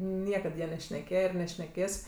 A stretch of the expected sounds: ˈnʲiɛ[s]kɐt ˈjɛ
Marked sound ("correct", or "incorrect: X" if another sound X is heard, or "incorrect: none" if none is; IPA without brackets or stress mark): incorrect: none